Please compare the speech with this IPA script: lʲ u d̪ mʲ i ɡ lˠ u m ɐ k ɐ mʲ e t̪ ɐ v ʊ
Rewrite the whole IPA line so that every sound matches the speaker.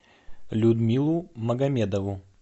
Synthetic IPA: lʲ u d̪ mʲ i lˠ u m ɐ ɡ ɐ mʲ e d̪ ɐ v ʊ